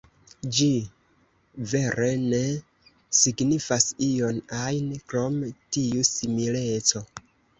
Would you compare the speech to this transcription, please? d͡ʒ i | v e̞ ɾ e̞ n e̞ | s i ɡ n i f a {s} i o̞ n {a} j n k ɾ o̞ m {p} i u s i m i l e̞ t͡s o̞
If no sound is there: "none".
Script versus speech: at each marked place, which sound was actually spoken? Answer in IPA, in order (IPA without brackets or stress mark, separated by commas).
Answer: s, a, t